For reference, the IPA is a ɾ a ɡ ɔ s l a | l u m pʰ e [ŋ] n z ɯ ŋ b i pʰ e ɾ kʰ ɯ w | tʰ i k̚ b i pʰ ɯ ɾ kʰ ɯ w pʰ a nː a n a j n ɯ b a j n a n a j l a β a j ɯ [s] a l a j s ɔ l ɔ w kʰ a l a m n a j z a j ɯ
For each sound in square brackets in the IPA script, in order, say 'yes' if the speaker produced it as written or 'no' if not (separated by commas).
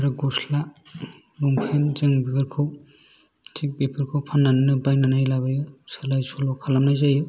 no, yes